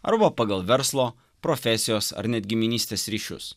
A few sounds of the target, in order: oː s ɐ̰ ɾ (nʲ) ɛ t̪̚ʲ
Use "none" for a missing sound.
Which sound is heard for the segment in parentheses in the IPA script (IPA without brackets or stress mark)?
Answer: nʲ